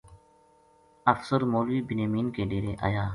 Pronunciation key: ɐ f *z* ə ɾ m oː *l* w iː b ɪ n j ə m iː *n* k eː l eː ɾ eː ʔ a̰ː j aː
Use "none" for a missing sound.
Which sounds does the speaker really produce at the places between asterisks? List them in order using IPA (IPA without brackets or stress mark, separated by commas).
s, l, n